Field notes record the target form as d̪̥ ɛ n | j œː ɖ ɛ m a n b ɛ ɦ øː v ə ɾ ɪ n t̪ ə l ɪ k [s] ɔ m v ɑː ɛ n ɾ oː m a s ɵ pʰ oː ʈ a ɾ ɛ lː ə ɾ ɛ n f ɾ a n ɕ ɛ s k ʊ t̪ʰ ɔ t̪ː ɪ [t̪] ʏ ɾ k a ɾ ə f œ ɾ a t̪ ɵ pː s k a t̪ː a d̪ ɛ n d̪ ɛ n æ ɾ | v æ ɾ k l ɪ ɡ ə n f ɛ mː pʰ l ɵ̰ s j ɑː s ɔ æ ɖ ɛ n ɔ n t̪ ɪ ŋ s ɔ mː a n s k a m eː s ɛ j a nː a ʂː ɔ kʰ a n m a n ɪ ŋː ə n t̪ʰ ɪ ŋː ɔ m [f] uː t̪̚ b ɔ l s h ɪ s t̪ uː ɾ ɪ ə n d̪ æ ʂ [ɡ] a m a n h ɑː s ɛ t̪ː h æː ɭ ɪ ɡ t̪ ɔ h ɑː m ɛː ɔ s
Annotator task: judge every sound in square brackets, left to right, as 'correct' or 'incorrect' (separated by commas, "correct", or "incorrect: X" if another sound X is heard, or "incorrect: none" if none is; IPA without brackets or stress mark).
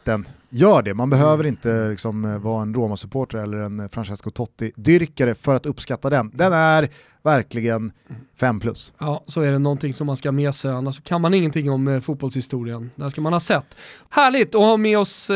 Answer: correct, incorrect: d̪, correct, incorrect: k